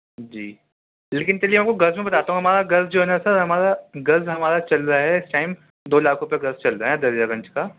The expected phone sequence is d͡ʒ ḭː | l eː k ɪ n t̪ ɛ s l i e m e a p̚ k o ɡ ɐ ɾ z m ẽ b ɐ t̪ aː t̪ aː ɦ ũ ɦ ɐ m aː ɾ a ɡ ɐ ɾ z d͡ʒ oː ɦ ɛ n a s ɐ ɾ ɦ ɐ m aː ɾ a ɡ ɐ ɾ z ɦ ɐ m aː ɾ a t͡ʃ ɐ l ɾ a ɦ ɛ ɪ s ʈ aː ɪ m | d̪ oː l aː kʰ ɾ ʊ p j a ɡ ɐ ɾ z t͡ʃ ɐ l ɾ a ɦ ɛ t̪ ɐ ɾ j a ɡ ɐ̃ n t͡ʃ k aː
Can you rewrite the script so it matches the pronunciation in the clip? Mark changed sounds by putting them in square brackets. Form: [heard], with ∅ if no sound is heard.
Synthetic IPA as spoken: d͡ʒ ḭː | l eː k ɪ n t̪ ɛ [∅] l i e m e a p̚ k o ɡ ɐ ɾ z m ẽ b ɐ t̪ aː t̪ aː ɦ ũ ɦ ɐ m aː ɾ a ɡ ɐ ɾ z d͡ʒ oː ɦ ɛ n a s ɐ ɾ ɦ ɐ m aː ɾ a ɡ ɐ ɾ z ɦ ɐ m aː ɾ a t͡ʃ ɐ l ɾ a ɦ ɛ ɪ s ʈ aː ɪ m | d̪ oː l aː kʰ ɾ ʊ p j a ɡ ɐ ɾ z t͡ʃ ɐ l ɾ a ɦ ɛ [d̪] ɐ ɾ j a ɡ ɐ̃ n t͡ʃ k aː